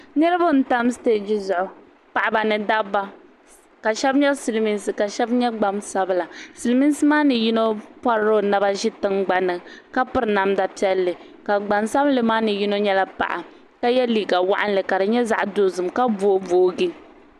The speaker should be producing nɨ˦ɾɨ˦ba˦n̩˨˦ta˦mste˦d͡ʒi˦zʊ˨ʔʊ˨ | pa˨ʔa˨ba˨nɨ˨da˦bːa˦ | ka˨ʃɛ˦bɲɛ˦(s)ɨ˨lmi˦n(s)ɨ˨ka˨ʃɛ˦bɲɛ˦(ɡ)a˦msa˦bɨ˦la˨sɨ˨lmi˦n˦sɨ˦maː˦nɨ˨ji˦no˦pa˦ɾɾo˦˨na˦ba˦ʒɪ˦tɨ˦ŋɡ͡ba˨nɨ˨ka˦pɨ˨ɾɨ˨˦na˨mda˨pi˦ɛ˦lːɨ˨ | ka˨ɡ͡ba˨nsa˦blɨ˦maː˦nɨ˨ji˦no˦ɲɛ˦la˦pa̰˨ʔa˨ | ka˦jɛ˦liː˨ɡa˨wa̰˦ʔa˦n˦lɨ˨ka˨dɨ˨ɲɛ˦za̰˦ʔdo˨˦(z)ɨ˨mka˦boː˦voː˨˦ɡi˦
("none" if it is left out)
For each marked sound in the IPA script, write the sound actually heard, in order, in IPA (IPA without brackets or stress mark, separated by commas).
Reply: s, s, ɡ͡b, z